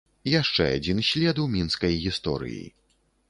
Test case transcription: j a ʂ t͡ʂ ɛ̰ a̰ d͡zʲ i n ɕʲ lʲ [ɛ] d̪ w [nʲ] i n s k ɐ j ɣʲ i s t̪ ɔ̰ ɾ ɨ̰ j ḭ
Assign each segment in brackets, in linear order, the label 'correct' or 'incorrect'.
correct, incorrect

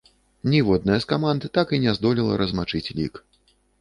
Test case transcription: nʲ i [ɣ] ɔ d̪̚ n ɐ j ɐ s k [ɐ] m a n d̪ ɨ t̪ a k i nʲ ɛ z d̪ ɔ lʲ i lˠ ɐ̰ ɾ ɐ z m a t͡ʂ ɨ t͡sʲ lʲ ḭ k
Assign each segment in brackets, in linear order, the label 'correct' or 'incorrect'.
incorrect, incorrect

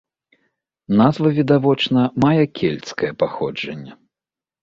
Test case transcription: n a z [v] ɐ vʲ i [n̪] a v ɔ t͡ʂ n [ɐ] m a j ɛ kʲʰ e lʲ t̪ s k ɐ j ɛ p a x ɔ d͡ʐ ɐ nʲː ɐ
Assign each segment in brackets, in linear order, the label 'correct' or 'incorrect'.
correct, incorrect, correct

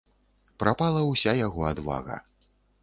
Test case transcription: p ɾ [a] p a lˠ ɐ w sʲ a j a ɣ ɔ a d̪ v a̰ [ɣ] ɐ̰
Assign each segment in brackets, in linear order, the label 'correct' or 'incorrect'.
correct, correct

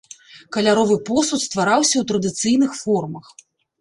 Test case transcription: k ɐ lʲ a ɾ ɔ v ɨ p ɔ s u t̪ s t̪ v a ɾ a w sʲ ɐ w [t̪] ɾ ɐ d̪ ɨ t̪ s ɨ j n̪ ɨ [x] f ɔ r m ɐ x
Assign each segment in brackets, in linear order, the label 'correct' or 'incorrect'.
correct, correct

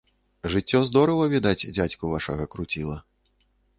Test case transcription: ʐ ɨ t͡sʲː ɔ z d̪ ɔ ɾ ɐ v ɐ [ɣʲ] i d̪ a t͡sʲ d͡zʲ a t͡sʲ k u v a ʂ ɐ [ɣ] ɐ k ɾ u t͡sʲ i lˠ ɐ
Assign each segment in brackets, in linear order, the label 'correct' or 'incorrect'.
incorrect, correct

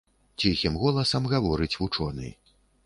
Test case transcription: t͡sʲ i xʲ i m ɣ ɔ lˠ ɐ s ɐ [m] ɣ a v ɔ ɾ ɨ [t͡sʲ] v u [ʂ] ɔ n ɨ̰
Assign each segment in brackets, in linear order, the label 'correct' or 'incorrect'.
correct, correct, incorrect

